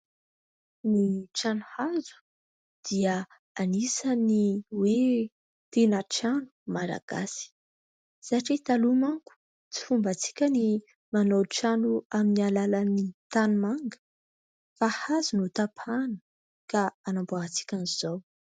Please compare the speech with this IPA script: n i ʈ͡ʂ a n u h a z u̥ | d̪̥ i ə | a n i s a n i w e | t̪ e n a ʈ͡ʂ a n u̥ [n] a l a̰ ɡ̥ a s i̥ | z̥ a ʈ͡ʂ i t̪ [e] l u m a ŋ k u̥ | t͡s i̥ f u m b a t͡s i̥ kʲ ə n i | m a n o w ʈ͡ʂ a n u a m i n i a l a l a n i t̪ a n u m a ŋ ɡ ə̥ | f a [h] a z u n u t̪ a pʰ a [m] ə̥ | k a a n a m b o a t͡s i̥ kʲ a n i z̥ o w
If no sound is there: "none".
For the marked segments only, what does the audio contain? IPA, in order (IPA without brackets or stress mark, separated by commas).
m, a, h, n